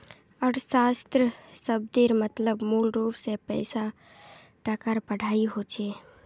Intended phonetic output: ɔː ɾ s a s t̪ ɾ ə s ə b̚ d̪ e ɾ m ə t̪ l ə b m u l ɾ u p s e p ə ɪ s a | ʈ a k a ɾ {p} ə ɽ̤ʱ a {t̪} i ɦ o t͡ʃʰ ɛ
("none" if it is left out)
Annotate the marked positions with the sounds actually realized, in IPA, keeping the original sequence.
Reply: p, none

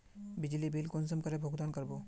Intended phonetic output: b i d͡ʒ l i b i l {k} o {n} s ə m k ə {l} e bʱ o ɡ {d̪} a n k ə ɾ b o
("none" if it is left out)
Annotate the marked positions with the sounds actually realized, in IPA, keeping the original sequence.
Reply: k, n, ɾ, d̪

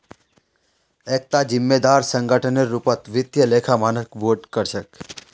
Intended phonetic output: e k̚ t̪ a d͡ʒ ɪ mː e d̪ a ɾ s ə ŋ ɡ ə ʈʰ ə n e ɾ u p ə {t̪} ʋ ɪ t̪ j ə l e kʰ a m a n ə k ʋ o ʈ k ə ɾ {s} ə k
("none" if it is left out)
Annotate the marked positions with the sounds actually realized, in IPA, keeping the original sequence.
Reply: t̪, ʃ

